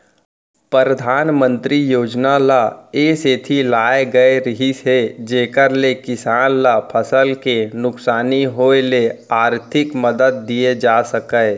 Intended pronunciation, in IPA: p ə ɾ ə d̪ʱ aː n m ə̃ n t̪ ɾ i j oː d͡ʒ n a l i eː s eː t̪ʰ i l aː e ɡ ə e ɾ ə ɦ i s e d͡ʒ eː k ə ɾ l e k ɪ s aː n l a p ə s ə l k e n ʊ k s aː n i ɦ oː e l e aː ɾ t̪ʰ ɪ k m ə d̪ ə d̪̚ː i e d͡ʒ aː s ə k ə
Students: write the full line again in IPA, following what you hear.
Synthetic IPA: p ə ɾ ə d̪ʱ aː n m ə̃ n t̪ ɾ i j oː d͡ʒ n a l a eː s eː t̪ʰ i l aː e ɡ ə e ɾ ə ɦ i s e d͡ʒ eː k ə ɾ l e k ɪ s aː n l a pʰ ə s ə l k e n ʊ k s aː n i ɦ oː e l e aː ɾ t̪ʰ ɪ k m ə d̪ ə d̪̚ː i e d͡ʒ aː s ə k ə